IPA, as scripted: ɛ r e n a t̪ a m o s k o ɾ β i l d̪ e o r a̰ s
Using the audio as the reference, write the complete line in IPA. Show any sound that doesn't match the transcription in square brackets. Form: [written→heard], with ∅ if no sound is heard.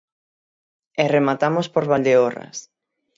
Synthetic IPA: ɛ r e [n→m] a t̪ a m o s [k→p] o ɾ β [i→a] l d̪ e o r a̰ s